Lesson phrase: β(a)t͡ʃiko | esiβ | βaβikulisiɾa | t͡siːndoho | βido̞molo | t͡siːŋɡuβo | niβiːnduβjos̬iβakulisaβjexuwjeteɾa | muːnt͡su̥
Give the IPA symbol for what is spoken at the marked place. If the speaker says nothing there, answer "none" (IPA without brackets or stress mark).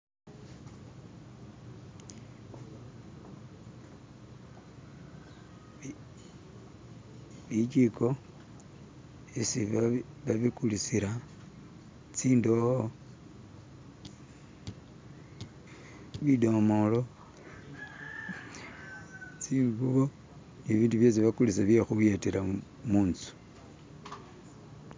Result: i